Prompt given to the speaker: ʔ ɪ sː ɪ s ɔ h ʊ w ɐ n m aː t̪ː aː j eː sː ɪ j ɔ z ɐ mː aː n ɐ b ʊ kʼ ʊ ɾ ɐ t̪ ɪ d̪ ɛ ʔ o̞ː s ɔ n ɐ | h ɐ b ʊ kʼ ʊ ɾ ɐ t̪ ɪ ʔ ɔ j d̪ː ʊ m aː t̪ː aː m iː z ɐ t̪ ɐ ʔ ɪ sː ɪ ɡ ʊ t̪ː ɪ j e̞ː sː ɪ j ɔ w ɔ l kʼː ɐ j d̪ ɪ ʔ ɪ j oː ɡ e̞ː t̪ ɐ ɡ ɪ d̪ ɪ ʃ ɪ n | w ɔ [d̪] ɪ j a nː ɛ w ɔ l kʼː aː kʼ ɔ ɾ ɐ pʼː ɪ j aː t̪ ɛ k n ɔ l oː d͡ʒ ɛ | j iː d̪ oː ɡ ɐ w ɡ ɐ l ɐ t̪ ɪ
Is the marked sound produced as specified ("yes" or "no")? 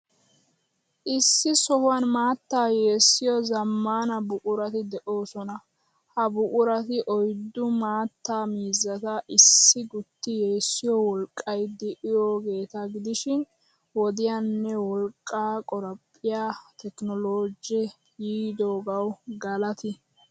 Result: yes